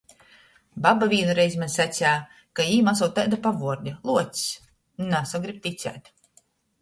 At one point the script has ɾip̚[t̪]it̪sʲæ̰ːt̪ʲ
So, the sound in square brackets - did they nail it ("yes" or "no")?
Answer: yes